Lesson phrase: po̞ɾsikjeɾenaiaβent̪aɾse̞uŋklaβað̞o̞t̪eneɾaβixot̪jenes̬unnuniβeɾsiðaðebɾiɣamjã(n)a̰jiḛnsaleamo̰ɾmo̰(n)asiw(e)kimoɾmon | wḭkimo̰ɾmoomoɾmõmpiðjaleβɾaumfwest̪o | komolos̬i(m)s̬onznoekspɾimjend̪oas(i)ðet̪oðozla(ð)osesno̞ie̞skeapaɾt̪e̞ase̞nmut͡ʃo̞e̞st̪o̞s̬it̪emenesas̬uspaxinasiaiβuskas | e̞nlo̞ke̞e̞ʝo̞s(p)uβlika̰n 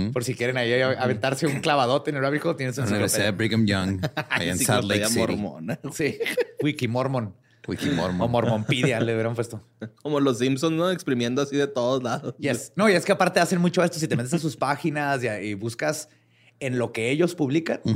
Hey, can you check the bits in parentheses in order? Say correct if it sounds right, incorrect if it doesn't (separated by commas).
incorrect, correct, incorrect, correct, correct, correct, correct